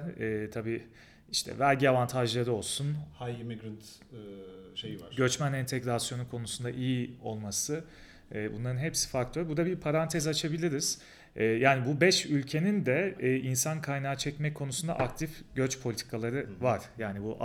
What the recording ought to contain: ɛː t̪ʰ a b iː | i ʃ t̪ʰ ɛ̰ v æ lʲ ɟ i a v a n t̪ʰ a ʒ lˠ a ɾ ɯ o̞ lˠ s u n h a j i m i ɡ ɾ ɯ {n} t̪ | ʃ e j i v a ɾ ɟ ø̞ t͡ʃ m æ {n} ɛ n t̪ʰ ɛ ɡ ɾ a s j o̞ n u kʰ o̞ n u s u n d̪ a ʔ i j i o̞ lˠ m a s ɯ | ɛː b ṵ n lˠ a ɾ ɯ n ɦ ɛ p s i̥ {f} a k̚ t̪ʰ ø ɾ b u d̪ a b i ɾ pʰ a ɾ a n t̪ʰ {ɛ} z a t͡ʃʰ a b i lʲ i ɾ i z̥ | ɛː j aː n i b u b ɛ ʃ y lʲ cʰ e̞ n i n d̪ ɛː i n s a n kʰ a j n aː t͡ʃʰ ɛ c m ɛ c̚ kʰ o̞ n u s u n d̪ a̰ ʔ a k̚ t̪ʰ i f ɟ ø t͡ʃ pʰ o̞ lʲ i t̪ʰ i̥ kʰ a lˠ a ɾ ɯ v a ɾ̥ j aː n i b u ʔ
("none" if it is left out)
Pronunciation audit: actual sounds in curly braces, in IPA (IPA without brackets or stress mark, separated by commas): n, n, f, ɛ